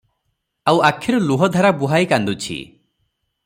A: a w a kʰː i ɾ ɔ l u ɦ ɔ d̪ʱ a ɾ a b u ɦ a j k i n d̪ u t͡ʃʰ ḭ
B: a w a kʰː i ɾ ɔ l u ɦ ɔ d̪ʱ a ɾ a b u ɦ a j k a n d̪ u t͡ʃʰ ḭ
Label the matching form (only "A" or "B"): B